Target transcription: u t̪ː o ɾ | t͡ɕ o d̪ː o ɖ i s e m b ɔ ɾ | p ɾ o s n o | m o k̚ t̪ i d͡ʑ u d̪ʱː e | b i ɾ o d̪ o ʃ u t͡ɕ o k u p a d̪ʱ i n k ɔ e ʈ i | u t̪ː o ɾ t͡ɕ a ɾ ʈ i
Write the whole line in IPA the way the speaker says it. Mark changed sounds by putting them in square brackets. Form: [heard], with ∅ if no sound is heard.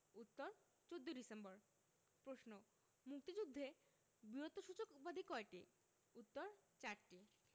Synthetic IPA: u t̪ː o ɾ | t͡ɕ o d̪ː o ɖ i s e m b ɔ ɾ | p ɾ o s n o | m [u] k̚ t̪ i d͡ʑ u d̪ʱː e | b i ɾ o [t̪] o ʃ u t͡ɕ o k u p a d̪ʱ i [∅] k ɔ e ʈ i | u t̪ː o ɾ t͡ɕ a ɾ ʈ i